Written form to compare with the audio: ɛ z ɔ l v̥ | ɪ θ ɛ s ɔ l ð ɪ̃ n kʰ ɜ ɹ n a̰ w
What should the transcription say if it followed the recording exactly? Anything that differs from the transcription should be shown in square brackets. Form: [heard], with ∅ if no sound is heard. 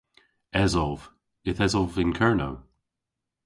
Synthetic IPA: ɛ z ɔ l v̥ | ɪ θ ɛ [z] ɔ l [v] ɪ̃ n kʰ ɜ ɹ n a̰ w